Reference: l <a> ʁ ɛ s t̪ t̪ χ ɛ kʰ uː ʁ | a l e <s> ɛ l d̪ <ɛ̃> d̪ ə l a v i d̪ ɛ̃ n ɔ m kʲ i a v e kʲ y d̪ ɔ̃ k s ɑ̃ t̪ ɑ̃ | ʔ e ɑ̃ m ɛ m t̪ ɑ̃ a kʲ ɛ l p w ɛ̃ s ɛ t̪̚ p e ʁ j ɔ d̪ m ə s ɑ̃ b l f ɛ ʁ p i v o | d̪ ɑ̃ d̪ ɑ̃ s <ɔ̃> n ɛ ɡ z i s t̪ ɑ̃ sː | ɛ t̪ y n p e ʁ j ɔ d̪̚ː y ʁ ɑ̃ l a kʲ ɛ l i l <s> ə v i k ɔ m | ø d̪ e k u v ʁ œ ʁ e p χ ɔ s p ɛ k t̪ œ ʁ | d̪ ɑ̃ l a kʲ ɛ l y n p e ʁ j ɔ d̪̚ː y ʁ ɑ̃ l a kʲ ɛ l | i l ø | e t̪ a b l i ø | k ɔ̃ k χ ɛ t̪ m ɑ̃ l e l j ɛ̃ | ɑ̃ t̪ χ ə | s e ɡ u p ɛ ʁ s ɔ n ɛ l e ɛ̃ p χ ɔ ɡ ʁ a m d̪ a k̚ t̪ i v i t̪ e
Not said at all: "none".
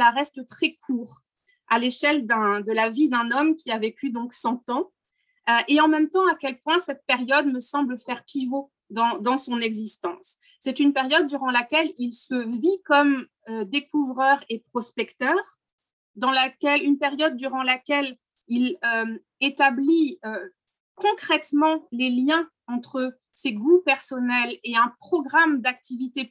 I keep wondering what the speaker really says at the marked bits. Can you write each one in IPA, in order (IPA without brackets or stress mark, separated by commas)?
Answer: a, ʃ, ɛ̃, ɔ̃, s